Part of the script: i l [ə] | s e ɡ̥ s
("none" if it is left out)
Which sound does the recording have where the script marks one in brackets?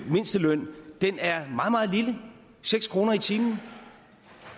ə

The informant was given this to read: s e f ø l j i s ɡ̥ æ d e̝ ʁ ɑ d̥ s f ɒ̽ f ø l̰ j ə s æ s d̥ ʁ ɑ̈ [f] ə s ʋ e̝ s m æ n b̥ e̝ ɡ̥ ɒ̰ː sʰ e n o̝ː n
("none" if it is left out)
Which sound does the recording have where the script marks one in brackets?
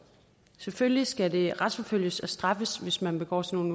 f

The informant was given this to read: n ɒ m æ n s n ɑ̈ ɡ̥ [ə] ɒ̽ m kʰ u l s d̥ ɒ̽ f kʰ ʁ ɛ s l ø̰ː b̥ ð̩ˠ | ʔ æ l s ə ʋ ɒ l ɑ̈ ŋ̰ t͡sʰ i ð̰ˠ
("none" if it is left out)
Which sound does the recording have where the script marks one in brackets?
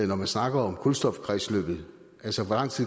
ɐ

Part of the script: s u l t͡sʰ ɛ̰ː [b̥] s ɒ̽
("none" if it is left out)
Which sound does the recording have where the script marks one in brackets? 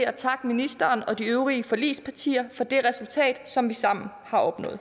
d̥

